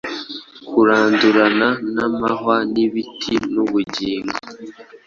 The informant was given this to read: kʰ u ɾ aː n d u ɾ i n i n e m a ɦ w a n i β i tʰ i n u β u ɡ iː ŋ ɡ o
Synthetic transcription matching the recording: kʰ u ɾ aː n d u ɾ a n a n a m a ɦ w a n i β i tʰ i n u β u ɟ iː ŋ ɡ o